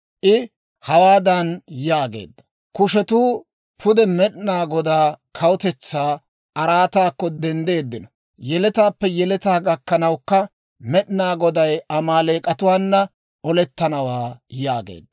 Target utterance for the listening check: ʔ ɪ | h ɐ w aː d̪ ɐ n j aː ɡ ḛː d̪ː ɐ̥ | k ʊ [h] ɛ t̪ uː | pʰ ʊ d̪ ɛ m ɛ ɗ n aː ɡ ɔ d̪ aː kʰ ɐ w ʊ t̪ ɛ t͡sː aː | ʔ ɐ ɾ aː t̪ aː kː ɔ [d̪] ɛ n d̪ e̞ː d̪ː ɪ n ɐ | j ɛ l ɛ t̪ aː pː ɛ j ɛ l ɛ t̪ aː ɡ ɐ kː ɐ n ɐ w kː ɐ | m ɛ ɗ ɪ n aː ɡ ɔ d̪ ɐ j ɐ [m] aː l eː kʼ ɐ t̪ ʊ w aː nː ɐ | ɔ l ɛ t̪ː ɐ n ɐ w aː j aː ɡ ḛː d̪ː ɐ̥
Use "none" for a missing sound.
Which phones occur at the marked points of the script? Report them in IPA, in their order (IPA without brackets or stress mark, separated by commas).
ʃ, d̪, m